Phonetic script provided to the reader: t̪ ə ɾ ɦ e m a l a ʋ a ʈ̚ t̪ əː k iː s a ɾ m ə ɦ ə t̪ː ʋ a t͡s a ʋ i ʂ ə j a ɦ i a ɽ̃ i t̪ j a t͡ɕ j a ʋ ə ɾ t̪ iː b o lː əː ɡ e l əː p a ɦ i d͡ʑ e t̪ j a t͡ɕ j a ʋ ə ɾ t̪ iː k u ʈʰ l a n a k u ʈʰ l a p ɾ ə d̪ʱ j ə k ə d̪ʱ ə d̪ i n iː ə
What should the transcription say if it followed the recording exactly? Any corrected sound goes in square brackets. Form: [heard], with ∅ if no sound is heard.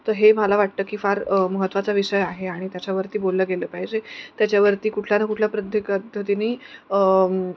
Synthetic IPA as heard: t̪ ə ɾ ɦ e m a l a ʋ a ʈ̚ t̪ əː k iː [f] a ɾ m ə ɦ ə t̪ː ʋ a t͡s a ʋ i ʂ ə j a ɦ [e] a ɽ̃ i t̪ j a t͡ɕ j a ʋ ə ɾ t̪ iː b o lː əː ɡ e l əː p a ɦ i d͡ʑ e t̪ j a t͡ɕ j a ʋ ə ɾ t̪ iː k u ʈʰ l a n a k u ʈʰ l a p ɾ ə d̪ʱ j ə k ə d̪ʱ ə [t̪] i n iː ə